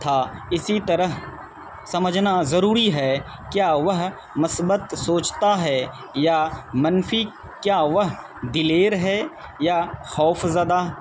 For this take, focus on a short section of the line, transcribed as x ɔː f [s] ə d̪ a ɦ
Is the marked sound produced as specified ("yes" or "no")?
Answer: no